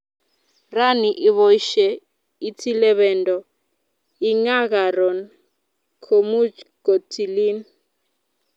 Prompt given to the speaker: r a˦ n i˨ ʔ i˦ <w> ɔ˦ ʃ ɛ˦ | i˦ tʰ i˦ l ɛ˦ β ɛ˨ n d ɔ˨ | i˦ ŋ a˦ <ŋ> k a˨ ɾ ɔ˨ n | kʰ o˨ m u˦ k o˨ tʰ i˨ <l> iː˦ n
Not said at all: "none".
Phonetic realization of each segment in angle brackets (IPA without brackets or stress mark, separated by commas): β, none, l